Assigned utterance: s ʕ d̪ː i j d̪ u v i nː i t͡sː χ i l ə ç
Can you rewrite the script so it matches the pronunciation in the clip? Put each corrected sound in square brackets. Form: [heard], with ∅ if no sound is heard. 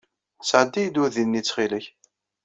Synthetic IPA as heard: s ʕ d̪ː i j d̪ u [ð] i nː i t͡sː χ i l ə ç